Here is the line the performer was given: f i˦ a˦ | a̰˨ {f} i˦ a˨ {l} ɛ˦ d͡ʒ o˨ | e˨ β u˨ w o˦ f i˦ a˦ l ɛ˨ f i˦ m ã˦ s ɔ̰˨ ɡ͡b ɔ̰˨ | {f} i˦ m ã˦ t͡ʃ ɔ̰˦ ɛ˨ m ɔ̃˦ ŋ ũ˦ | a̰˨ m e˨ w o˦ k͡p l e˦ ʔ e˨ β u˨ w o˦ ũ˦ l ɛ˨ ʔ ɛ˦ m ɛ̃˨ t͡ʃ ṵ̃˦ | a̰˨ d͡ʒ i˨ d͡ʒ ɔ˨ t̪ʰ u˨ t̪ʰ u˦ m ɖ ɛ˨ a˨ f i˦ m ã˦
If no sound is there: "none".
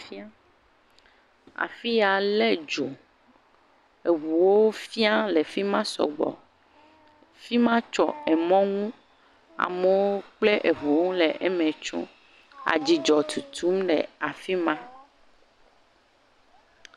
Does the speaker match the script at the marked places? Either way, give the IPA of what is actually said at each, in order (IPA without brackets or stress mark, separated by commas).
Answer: f, l, f